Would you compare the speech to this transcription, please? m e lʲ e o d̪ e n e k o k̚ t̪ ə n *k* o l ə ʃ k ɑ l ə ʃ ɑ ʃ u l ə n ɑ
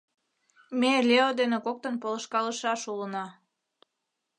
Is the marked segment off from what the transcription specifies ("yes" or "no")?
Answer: yes